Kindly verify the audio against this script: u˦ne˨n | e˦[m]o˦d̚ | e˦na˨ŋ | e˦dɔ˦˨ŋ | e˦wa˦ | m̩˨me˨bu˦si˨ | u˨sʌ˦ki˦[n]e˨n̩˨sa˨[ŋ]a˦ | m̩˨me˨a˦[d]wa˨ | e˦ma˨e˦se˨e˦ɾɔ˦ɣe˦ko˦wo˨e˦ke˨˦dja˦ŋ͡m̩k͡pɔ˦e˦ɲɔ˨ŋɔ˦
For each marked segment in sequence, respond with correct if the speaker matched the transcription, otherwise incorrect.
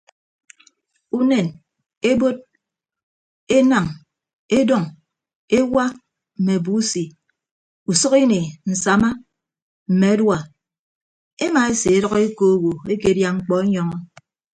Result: incorrect, correct, incorrect, correct

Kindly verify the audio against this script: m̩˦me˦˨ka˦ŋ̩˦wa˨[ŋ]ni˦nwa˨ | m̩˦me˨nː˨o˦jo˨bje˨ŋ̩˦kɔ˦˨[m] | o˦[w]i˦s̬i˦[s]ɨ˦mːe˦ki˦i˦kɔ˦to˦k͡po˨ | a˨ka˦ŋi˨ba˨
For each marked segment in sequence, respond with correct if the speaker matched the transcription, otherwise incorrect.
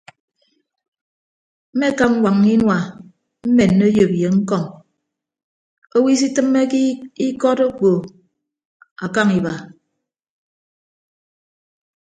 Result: correct, incorrect, correct, incorrect

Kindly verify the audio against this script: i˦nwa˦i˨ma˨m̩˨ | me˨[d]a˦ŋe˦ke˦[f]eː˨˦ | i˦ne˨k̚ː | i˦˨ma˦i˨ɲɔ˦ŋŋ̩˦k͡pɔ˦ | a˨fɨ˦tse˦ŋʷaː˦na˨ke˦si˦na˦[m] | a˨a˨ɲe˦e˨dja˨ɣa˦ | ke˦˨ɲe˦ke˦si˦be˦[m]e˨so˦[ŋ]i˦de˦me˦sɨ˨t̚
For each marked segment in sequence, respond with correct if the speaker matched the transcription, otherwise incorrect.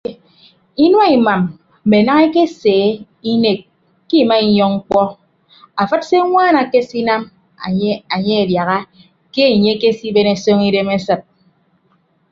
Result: incorrect, incorrect, correct, incorrect, correct

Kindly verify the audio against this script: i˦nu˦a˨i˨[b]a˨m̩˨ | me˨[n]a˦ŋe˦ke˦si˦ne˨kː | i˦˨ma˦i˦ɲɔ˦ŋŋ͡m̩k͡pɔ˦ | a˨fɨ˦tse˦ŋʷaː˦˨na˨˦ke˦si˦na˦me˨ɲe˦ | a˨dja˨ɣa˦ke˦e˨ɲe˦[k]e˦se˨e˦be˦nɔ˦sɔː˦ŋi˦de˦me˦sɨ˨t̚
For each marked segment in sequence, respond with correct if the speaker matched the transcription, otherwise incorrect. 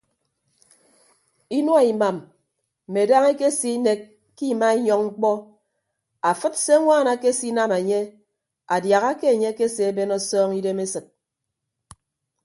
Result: incorrect, incorrect, correct

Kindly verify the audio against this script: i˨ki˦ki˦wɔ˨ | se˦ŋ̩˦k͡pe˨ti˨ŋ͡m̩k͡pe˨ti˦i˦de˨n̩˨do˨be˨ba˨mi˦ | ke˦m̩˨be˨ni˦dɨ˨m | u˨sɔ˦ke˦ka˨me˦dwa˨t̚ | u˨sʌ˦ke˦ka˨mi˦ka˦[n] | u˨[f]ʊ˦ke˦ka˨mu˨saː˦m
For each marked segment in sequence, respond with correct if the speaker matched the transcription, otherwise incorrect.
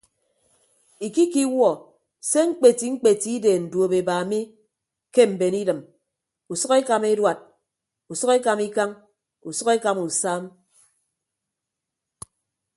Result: incorrect, incorrect

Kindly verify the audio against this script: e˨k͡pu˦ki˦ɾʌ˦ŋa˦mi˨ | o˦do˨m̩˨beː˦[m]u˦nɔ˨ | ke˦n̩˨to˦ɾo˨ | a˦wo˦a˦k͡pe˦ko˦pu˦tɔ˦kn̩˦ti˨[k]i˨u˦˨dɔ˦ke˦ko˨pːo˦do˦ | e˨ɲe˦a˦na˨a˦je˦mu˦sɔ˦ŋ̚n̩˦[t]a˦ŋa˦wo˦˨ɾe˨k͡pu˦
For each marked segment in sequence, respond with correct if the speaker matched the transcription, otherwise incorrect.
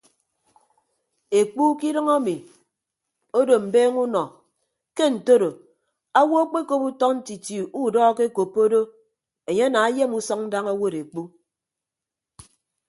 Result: incorrect, incorrect, incorrect

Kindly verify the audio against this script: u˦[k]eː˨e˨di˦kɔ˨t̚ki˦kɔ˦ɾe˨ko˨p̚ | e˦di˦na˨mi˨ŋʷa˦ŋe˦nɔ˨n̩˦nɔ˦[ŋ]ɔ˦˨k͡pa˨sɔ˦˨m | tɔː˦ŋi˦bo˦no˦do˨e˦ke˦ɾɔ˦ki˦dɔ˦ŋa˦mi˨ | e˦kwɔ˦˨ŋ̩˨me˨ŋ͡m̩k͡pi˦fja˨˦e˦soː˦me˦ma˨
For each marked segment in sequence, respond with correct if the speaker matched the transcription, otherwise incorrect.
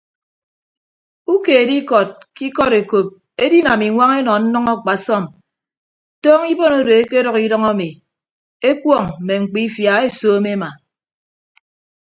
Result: correct, correct

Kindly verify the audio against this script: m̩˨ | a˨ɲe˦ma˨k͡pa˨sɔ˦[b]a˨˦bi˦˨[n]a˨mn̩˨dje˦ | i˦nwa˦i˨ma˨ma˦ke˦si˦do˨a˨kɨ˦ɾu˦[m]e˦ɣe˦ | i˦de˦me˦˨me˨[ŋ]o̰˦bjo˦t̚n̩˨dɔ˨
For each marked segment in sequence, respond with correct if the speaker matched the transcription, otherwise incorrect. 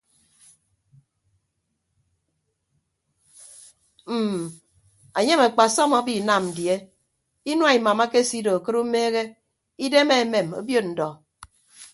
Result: incorrect, correct, correct, incorrect

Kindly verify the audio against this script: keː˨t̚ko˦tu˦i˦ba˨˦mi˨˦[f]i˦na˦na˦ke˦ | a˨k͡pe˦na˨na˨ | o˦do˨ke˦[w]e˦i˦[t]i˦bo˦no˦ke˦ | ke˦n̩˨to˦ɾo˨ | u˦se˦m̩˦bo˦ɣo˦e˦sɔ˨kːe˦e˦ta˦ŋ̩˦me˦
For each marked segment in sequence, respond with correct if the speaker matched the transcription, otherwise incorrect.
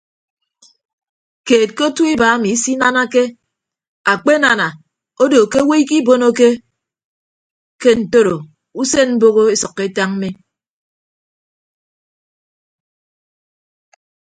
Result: incorrect, correct, incorrect

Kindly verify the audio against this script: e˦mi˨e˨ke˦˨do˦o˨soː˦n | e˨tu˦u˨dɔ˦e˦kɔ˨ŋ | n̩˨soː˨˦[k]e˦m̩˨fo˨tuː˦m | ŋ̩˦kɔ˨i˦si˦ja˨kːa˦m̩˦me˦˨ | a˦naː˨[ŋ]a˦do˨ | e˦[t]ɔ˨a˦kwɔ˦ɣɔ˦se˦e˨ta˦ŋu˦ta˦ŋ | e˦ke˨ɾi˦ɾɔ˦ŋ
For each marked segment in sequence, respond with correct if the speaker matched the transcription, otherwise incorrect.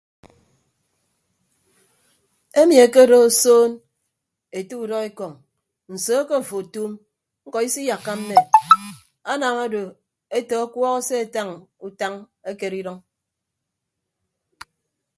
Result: correct, correct, correct

